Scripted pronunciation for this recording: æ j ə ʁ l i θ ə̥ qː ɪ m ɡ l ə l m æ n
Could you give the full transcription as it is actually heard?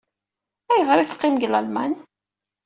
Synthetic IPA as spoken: æ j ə ʁ ɾ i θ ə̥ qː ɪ m ɡ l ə l m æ n